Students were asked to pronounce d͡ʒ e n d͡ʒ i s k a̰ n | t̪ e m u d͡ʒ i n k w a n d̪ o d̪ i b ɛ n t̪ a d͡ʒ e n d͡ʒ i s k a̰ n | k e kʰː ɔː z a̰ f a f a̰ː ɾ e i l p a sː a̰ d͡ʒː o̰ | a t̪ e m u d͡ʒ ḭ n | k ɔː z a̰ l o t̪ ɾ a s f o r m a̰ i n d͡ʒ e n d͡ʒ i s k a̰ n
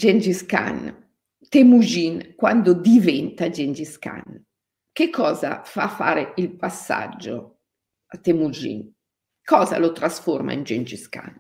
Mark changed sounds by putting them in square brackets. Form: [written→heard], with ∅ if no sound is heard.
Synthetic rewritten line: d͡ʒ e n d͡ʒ i s k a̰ n | t̪ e m u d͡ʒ i n k w a n d̪ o d̪ i [b→v] ɛ n t̪ a d͡ʒ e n d͡ʒ i s k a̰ n | k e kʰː ɔː z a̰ f a f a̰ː ɾ e i l p a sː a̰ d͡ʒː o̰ | a t̪ e m u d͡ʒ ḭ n | k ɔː z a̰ l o t̪ ɾ a s f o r m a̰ i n d͡ʒ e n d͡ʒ i s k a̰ n